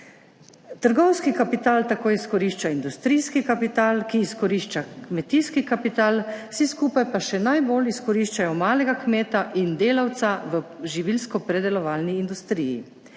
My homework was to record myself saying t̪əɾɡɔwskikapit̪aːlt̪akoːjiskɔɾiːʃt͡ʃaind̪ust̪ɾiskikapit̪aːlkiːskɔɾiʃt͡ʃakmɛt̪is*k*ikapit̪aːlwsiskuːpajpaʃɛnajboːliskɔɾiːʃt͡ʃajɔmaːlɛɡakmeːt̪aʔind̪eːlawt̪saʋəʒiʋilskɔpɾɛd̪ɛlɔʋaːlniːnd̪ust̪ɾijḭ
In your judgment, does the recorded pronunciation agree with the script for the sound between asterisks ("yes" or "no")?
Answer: yes